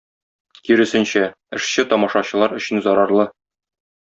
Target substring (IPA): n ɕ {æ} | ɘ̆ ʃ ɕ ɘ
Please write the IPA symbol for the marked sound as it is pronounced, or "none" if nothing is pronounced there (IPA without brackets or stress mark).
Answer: æ